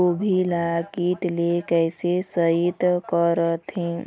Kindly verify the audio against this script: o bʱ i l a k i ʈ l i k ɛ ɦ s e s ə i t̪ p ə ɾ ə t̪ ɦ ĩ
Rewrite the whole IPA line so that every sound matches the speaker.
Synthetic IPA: o bʱ i l a k i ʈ l e k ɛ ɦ s e s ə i t̪ k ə ɾ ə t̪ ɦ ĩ